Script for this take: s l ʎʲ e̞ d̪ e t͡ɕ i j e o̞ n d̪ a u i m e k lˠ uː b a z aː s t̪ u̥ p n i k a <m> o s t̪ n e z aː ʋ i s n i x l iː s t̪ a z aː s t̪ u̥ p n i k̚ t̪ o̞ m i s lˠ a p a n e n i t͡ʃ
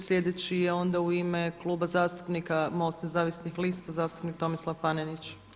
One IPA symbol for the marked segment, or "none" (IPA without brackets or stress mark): m